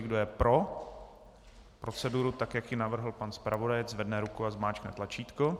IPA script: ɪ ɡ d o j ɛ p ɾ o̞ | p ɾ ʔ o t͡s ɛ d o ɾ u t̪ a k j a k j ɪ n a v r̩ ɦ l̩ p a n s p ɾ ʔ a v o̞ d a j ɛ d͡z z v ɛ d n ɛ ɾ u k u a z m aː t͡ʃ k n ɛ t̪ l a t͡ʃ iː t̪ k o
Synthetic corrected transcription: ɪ ɡ d o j ɛ p ɾ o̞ | p ɾ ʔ o t͡s ɛ d u ɾ u t̪ a k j a k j ɪ n a v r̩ ɦ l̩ p a n s p ɾ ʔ a v o̞ d a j ɛ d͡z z v ɛ d n ɛ ɾ u k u a z m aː t͡ʃ k n ɛ t̪ l a t͡ʃ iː t̪ k o